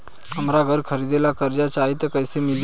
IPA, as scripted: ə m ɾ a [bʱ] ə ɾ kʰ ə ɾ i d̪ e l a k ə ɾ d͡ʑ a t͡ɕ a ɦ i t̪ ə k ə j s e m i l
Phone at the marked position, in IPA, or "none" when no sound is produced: ɡʱ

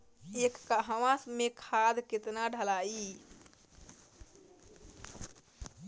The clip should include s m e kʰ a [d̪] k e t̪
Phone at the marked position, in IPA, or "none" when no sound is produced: d̪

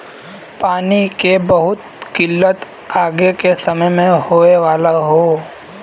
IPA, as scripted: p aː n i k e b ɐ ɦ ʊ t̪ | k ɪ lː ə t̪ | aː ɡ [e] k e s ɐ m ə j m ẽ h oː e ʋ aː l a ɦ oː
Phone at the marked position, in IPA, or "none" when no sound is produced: e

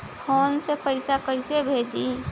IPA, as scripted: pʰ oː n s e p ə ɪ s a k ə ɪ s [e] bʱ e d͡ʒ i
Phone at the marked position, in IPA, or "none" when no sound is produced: e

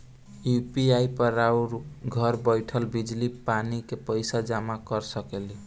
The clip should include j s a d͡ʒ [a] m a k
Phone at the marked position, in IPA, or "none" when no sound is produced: a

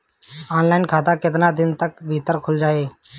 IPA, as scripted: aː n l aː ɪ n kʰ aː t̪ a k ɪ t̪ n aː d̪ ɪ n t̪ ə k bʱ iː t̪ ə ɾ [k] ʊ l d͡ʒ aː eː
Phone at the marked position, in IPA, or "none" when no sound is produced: kʰ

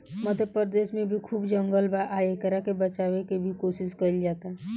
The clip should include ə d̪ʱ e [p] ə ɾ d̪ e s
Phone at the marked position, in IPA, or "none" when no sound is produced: p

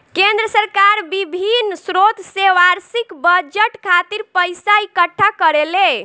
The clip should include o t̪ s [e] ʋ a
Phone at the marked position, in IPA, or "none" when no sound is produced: e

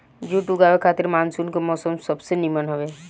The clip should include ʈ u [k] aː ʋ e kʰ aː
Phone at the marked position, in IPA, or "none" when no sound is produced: ɡ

